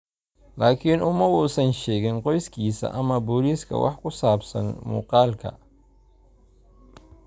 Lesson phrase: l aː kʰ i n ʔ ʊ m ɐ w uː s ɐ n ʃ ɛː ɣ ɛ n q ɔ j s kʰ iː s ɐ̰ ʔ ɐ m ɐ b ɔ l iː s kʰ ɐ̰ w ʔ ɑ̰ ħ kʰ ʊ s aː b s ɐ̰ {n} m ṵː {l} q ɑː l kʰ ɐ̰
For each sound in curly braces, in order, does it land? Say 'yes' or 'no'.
yes, no

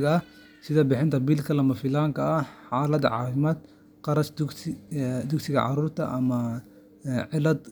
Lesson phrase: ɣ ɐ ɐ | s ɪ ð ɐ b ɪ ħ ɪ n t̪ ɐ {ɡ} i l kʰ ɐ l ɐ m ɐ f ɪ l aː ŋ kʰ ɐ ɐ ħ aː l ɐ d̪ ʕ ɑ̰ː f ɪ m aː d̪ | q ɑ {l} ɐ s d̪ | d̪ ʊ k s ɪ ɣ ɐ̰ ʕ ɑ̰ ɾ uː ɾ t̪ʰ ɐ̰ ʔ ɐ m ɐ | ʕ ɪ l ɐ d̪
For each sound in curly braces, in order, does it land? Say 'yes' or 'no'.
no, no

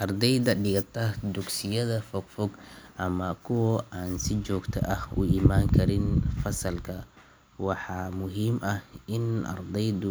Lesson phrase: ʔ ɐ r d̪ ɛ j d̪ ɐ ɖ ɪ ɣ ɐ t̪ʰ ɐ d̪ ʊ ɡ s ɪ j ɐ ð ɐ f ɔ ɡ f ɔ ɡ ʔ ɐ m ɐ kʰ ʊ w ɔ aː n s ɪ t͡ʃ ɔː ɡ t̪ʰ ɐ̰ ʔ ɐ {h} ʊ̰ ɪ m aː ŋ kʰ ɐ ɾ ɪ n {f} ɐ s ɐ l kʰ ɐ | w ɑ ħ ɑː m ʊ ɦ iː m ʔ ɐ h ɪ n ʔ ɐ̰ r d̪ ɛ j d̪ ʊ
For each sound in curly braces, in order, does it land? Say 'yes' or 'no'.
yes, yes

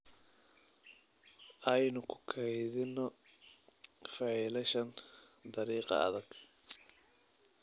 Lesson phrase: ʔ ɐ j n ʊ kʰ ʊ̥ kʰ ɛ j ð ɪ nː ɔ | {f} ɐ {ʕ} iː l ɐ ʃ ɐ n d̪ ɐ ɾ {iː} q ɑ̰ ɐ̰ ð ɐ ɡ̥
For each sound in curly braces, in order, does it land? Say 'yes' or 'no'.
yes, yes, yes

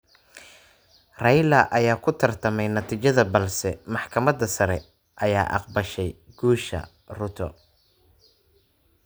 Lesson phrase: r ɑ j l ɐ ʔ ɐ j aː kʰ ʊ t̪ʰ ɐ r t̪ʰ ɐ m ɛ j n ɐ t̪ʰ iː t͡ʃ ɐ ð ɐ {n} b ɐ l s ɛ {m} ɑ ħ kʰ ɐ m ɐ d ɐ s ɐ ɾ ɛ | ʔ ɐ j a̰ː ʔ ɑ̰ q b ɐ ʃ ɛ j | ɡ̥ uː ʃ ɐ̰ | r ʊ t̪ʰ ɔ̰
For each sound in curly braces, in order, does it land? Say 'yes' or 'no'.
no, yes

